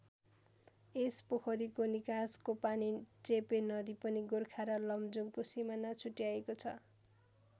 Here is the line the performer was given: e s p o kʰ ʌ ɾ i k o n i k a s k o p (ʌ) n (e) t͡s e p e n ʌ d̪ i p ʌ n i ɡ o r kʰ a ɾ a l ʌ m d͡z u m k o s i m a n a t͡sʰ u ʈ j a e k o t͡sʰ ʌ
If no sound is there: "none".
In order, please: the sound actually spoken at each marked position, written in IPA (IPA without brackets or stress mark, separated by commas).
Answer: a, i